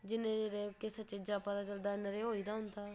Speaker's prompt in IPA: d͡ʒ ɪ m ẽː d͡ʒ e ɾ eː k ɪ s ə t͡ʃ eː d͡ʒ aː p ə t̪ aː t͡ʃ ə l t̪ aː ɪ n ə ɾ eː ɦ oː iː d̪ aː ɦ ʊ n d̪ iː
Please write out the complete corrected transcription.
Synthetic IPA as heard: d͡ʒ ɪ n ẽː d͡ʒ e ɾ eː k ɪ s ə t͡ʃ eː d͡ʒ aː p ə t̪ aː t͡ʃ ə l d̪ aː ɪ n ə ɾ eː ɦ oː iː d̪ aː ɦ ʊ n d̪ aː